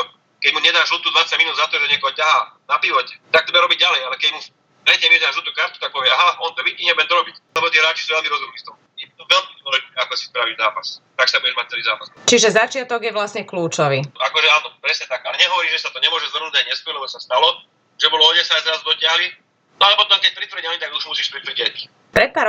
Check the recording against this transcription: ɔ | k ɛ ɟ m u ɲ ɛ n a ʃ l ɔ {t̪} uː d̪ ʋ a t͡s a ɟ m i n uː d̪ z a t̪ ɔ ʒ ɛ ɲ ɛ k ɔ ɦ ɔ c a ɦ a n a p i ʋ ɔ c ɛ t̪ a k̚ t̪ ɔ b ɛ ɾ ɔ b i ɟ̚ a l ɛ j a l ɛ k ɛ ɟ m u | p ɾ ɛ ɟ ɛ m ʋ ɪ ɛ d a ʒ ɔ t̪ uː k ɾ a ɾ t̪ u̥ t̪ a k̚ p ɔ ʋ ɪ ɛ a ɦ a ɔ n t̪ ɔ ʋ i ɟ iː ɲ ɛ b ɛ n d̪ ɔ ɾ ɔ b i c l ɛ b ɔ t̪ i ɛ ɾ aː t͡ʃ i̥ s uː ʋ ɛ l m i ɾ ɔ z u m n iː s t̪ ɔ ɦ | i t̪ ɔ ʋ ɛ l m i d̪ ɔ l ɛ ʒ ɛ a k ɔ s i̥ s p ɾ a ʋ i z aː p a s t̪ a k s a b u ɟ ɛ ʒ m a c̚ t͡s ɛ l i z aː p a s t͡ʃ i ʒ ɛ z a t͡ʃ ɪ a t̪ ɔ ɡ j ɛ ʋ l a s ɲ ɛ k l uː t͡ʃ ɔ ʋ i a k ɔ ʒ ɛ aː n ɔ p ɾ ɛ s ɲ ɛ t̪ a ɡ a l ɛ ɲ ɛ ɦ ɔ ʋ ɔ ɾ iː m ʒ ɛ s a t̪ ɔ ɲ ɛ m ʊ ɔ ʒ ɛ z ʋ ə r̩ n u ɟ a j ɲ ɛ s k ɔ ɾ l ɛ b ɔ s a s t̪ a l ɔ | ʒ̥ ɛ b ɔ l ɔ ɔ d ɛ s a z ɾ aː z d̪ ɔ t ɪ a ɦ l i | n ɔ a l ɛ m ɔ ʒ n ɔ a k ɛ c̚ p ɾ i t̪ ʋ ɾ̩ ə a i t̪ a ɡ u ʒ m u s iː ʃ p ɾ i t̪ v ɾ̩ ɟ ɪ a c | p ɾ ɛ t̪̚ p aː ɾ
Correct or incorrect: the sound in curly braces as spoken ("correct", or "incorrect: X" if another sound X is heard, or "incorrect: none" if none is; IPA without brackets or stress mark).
correct